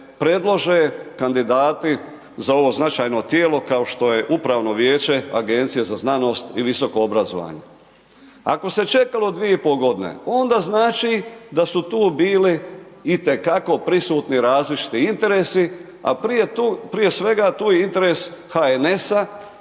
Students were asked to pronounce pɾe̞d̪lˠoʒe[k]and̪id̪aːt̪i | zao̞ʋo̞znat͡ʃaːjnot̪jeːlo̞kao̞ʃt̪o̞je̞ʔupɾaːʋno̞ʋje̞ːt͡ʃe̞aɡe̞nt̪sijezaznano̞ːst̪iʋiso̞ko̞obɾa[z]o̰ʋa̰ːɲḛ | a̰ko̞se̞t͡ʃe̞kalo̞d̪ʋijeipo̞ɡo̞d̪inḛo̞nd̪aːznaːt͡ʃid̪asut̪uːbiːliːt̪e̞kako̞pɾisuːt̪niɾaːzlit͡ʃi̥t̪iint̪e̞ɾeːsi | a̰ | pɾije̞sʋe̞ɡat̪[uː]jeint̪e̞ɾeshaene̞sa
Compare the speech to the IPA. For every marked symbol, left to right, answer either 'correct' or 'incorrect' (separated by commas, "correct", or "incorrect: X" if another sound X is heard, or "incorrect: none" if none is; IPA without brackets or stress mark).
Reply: correct, correct, correct